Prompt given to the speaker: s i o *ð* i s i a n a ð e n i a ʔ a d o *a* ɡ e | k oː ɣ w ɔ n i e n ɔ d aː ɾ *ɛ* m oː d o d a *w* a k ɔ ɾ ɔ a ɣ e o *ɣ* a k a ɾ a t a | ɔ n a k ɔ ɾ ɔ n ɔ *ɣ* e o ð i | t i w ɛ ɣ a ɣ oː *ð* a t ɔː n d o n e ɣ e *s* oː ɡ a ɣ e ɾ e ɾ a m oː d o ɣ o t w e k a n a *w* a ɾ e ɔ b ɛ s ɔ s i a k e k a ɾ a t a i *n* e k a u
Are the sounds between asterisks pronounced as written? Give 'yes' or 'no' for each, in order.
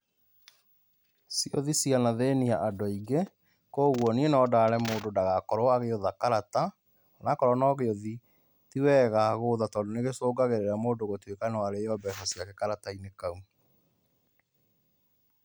yes, no, yes, no, no, yes, yes, yes, yes, yes

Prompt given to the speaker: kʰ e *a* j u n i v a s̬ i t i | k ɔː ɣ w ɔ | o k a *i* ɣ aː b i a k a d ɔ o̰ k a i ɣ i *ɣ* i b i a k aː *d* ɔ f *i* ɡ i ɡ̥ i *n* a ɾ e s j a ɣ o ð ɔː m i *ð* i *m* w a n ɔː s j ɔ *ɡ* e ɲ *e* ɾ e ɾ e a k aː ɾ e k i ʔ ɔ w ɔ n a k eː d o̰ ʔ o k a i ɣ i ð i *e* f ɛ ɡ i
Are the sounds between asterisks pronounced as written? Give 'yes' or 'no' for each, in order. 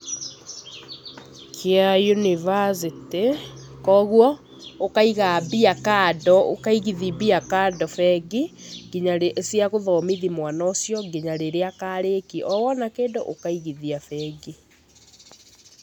yes, yes, no, yes, no, no, yes, yes, yes, no, no

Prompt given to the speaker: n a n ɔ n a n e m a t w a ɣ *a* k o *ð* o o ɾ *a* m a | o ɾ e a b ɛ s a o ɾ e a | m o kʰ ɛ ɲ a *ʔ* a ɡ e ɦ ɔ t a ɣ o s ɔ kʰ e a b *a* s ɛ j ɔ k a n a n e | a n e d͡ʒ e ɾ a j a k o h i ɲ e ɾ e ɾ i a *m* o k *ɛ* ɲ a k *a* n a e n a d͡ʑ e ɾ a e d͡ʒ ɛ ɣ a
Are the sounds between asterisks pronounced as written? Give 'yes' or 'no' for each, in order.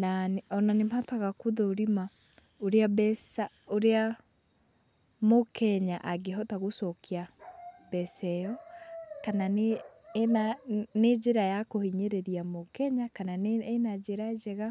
yes, yes, no, yes, no, yes, yes, yes

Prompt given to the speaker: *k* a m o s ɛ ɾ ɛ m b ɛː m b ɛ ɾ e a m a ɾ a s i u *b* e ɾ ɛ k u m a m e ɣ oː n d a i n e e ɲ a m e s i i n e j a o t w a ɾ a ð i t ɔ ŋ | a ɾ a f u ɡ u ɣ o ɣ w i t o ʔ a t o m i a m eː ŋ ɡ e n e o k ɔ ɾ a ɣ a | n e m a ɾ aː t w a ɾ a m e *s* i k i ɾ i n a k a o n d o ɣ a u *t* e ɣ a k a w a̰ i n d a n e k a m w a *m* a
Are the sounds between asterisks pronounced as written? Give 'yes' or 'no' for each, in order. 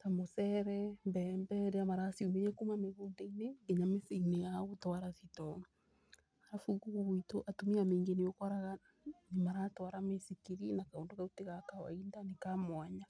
no, no, yes, yes, no

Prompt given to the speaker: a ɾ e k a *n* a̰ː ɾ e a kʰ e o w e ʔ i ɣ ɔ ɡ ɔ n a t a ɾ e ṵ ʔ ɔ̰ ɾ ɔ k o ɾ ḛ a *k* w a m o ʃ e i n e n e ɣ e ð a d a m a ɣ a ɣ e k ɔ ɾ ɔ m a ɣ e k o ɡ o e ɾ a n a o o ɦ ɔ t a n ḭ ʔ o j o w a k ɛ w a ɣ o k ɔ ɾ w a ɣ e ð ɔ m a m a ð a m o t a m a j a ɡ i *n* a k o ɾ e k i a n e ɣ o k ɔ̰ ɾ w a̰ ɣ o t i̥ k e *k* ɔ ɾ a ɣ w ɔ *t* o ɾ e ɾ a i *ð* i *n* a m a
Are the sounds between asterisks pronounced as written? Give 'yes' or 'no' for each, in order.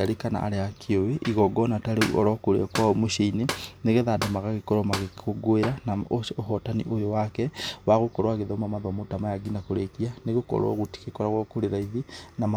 yes, yes, yes, yes, no, yes, yes

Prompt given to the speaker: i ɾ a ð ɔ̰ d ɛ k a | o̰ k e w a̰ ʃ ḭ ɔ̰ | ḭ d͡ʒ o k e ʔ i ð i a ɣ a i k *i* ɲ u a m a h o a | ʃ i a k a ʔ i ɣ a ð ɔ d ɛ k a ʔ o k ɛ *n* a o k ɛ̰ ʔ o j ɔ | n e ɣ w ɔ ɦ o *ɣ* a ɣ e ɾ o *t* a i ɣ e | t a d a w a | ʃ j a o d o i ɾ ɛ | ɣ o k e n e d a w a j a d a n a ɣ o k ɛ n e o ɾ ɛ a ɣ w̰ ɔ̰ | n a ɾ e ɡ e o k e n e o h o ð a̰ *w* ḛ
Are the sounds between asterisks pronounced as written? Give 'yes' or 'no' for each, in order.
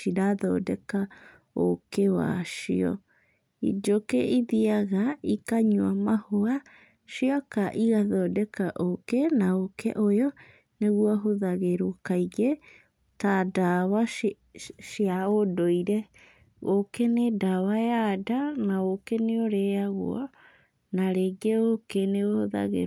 no, yes, no, no, no

